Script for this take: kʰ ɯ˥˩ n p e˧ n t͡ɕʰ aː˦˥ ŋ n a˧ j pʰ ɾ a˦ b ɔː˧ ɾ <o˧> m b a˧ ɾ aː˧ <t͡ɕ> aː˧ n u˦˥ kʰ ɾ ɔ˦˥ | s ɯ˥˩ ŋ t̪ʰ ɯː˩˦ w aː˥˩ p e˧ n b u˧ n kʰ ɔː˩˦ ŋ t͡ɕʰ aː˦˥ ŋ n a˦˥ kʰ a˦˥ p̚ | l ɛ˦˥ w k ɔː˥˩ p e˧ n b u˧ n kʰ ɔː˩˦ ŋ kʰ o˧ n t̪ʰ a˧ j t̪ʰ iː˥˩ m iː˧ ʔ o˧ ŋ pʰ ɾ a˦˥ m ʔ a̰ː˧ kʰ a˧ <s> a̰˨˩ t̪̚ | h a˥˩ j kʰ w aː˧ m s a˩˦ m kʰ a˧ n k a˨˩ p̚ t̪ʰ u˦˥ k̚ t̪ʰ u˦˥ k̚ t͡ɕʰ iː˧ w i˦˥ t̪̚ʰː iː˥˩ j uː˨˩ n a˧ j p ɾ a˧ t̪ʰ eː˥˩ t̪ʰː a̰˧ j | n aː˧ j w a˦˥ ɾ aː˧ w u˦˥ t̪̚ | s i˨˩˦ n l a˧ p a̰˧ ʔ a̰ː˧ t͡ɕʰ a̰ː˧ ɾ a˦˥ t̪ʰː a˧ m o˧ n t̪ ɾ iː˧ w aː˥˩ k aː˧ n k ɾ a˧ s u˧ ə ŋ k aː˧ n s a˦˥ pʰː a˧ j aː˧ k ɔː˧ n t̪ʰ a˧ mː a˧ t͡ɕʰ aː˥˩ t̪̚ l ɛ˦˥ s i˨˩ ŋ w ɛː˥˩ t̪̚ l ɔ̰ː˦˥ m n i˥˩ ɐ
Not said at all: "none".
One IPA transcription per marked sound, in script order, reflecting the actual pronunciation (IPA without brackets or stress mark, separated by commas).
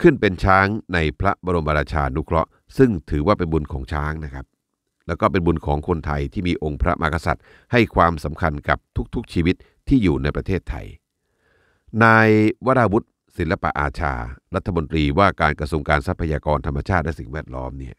o˧, t͡ɕʰ, s